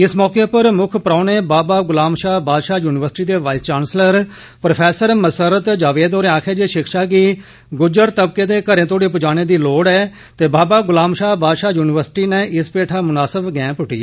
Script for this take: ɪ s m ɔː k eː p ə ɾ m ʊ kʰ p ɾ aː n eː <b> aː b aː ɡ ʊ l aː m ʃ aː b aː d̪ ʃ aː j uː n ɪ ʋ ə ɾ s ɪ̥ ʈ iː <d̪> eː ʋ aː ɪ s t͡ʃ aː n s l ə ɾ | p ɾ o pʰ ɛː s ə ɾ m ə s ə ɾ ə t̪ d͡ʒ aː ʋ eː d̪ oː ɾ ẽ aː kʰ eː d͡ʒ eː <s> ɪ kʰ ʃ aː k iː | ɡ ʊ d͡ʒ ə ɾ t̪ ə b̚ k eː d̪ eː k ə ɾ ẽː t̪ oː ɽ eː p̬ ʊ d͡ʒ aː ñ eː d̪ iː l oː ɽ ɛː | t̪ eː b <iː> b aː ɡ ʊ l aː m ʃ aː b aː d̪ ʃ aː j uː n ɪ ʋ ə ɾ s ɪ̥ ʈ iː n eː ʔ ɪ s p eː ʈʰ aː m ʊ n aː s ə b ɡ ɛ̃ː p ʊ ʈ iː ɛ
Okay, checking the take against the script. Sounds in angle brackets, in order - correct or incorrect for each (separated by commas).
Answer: correct, correct, incorrect, incorrect